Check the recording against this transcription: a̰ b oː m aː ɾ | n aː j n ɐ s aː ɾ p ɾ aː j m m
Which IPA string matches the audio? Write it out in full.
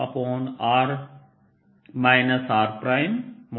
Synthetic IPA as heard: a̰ p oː n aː ɾ | m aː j n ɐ s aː ɾ p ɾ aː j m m